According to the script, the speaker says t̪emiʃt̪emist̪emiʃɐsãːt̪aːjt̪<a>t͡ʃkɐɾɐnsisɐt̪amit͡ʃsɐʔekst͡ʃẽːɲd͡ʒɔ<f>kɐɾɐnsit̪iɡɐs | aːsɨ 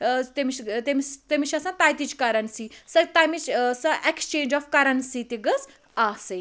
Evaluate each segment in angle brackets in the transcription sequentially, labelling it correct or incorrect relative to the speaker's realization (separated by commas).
incorrect, correct